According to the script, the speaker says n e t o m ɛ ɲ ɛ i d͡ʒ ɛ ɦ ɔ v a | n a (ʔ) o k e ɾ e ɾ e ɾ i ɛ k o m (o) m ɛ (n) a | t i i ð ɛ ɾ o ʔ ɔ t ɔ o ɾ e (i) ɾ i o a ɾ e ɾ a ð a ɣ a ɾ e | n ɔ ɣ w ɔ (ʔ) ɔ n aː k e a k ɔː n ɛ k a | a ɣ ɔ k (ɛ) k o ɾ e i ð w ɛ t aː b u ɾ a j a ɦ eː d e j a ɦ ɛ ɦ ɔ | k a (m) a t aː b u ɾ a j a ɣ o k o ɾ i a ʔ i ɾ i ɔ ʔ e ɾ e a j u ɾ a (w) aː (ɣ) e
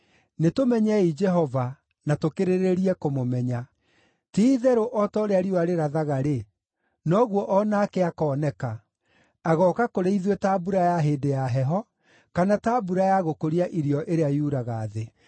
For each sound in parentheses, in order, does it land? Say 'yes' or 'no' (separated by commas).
no, yes, no, no, yes, no, no, no, no